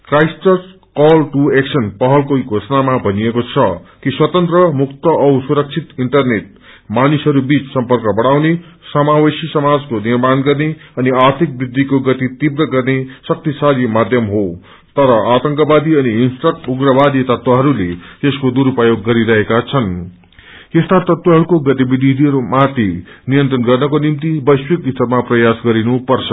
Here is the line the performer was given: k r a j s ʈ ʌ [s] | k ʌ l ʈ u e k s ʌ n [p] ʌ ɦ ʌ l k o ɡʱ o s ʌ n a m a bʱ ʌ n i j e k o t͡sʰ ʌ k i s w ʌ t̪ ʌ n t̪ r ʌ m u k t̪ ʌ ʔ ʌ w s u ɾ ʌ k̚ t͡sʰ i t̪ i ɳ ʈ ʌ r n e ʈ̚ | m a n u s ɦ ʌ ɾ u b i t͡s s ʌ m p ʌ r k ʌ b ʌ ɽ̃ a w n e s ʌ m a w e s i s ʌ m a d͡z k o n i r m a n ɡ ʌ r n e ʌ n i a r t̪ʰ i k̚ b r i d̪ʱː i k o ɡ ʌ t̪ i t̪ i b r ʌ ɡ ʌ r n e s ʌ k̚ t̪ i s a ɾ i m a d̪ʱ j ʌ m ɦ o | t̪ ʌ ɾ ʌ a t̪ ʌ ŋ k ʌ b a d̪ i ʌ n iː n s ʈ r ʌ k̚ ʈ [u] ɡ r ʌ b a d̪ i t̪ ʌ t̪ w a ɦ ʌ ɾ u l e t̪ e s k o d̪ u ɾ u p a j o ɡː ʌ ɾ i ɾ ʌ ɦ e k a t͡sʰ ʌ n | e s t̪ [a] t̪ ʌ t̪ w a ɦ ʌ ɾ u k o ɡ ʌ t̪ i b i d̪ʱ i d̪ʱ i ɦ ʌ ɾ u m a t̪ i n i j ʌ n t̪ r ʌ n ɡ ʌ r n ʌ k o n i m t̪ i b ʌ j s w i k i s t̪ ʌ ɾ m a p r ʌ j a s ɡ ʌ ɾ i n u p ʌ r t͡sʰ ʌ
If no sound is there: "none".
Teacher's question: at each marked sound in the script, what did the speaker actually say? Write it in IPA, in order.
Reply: s, p, u, a

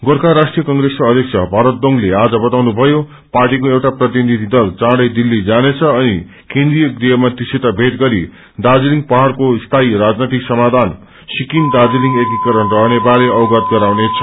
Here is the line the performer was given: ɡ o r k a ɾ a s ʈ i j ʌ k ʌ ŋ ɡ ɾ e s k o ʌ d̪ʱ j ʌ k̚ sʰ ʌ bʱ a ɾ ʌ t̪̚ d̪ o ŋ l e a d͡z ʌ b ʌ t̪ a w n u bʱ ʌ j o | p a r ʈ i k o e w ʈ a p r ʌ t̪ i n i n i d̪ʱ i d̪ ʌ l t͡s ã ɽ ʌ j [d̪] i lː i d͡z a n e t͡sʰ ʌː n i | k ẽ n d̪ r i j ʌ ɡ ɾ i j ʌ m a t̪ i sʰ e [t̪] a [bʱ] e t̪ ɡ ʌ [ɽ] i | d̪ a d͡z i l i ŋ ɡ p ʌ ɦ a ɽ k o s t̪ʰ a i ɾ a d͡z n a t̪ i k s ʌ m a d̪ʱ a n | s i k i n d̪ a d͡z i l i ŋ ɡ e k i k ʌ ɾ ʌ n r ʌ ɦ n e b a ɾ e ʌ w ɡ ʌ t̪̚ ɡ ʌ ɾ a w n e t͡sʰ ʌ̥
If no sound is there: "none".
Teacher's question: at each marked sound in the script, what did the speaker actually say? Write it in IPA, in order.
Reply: d̪, t̪, bʱ, ɾ

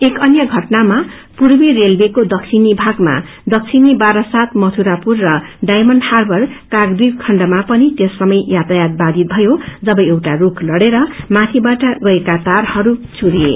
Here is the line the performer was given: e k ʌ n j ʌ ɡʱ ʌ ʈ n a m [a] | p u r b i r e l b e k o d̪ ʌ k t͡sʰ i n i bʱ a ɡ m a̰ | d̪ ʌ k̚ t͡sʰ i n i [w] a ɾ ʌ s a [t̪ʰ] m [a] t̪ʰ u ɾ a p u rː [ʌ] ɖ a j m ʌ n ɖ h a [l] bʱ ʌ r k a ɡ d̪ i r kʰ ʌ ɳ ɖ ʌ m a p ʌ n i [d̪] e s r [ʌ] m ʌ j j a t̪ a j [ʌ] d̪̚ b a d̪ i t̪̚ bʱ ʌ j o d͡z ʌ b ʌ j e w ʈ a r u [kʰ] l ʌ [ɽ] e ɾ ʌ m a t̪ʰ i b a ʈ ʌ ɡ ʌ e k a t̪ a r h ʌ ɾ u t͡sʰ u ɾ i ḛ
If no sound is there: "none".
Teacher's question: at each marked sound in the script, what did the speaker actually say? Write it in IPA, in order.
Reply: a, b, t̪, ʌ, ʌ, r, t̪, ʌ, a, kʰ, ɽ

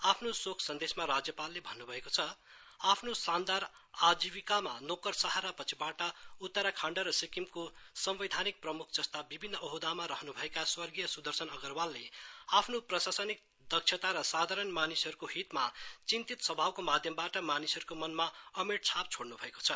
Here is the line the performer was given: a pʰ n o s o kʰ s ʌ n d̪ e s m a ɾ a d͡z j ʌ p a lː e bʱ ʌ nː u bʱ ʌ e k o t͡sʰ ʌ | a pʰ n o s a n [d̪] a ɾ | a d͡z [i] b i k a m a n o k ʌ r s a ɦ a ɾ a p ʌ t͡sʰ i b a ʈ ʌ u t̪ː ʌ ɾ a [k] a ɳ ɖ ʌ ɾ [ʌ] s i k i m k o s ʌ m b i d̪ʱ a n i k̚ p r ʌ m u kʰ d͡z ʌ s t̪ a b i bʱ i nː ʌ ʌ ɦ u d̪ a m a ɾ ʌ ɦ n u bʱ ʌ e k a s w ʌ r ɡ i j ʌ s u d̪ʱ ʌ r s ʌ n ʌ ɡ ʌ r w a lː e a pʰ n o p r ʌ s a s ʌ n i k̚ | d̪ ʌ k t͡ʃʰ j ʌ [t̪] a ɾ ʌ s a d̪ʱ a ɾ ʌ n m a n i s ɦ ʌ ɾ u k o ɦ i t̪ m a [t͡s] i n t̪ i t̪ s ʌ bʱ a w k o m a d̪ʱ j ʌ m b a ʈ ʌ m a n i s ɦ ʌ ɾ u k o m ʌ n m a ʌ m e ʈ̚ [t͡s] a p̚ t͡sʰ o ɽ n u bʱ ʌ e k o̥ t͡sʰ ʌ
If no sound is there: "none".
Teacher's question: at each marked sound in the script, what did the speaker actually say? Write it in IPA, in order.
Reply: d̪, i, kʰ, ʌ, t̪, t͡s, t͡sʰ

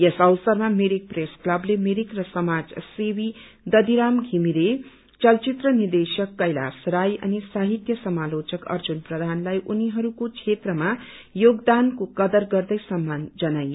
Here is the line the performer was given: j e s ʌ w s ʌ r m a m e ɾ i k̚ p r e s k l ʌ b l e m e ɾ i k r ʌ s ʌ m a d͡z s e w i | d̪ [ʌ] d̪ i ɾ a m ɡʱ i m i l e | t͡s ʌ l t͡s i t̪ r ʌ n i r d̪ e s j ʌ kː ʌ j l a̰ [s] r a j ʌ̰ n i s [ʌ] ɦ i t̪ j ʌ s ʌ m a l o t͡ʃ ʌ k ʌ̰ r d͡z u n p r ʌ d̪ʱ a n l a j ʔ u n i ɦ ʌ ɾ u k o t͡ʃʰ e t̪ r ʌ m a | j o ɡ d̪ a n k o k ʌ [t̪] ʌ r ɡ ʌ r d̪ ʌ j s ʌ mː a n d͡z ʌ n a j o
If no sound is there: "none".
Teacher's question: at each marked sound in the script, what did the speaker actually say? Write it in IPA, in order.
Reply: ʌ, s, a, d̪

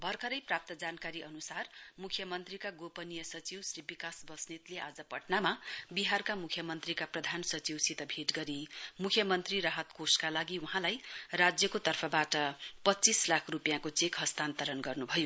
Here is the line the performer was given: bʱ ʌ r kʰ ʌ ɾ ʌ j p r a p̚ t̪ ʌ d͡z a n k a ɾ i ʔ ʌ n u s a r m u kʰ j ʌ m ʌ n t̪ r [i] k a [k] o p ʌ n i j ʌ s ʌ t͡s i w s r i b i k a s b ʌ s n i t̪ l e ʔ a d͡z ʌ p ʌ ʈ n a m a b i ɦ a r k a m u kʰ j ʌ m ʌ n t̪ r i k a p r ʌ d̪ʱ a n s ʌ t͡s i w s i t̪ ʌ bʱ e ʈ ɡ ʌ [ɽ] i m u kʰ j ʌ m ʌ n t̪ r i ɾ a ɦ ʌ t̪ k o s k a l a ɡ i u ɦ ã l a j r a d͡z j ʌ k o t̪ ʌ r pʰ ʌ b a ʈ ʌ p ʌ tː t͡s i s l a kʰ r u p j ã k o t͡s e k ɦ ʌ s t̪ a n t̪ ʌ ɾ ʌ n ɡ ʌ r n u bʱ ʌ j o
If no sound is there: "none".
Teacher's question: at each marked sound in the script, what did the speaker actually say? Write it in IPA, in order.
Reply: i, ɡ, ɾ

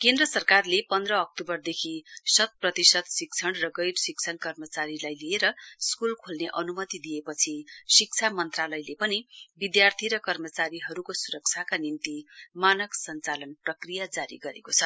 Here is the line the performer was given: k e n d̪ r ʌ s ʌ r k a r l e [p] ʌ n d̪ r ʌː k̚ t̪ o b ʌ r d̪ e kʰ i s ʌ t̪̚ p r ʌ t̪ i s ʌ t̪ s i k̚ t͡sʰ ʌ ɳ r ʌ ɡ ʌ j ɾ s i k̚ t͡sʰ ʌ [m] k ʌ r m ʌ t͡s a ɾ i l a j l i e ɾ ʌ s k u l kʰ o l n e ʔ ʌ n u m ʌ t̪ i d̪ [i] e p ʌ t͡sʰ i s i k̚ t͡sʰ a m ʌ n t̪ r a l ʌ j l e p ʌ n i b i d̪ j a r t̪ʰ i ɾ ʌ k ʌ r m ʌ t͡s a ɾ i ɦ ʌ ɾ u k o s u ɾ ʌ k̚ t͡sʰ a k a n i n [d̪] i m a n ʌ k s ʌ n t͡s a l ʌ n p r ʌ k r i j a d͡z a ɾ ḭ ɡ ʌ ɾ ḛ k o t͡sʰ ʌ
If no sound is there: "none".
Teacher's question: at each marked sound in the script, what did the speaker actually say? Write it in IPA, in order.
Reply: p, n, i, t̪

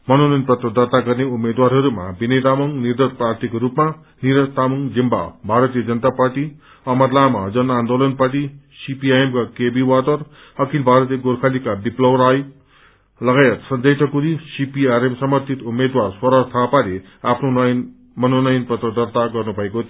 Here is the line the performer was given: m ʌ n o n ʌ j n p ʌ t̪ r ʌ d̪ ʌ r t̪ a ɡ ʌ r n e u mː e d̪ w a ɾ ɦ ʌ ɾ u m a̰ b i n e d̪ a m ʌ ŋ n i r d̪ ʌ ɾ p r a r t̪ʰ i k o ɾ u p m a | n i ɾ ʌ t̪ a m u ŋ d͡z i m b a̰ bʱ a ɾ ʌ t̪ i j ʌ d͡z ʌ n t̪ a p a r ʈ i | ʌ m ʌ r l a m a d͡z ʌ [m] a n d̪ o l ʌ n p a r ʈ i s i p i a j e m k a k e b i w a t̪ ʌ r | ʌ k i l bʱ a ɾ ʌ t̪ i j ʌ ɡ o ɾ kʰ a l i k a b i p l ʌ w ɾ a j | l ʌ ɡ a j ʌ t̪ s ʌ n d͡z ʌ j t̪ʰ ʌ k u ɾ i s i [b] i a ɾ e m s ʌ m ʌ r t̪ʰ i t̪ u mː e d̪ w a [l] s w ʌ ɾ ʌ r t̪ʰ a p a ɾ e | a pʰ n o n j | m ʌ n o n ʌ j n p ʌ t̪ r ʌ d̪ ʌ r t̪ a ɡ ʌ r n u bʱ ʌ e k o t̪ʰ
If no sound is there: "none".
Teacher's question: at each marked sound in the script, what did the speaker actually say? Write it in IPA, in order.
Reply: n, p, r

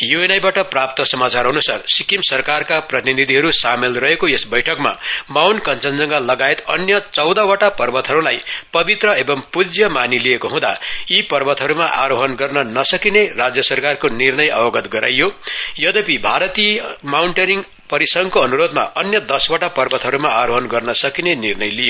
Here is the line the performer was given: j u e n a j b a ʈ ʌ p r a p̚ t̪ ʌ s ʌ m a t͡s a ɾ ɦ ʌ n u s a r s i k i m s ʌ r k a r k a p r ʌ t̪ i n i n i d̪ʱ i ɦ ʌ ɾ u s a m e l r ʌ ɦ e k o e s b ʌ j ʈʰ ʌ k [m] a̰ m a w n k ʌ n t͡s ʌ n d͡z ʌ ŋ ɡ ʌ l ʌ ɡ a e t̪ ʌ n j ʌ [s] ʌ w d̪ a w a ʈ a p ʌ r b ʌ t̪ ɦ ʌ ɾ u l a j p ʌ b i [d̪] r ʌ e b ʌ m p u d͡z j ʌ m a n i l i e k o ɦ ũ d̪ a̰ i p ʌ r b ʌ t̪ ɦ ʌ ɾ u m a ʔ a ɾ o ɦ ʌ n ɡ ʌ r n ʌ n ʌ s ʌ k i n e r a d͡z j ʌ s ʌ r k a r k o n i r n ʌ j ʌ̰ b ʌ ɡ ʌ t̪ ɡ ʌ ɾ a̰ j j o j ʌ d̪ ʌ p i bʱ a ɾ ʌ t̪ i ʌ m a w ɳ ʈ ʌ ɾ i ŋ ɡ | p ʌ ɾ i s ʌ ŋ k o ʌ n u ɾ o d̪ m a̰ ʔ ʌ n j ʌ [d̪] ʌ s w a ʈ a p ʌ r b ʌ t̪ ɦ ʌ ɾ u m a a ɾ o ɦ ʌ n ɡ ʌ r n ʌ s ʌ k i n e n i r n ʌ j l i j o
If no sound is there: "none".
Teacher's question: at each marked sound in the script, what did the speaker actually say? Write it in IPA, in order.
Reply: m, t͡s, t̪, d̪

